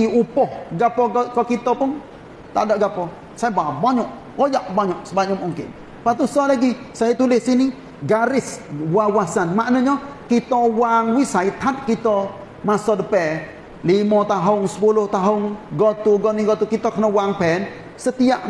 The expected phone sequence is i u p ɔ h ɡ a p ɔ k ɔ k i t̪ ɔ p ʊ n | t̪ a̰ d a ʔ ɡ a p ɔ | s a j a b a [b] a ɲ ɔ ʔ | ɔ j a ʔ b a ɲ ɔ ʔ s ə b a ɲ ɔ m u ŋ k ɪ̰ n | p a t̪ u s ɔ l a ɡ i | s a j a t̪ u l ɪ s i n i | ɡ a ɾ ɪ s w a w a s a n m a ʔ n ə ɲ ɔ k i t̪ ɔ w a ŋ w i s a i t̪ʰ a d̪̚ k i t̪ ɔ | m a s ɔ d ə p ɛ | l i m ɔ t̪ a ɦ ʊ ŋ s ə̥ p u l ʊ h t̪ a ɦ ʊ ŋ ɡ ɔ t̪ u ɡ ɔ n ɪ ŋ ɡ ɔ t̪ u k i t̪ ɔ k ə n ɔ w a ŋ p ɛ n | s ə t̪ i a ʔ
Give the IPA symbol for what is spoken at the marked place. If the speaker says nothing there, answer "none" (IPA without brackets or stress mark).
b